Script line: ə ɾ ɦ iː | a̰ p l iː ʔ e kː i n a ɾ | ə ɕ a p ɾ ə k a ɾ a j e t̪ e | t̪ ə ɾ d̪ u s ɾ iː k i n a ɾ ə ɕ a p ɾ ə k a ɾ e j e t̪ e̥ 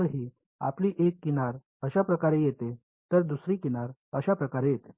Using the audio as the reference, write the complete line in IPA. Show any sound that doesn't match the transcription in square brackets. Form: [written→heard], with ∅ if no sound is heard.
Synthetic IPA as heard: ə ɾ ɦ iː | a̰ p l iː ʔ e kː i n a ɾ | ə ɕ a p ɾ ə k a ɾ [a→e] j e t̪ e | t̪ ə ɾ d̪ u s ɾ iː k i n a ɾ ə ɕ a p ɾ ə k a ɾ e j e t̪ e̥